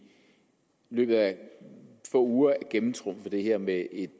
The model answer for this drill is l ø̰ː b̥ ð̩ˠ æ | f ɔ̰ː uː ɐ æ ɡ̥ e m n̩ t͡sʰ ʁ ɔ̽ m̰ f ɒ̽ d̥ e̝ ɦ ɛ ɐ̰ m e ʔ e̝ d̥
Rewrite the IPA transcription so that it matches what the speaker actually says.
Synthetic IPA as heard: l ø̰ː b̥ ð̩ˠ æ | f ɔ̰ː uː ɐ æ ɡ̥ e m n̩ t͡sʰ ʁ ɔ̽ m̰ f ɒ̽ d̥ e̝ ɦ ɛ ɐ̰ m e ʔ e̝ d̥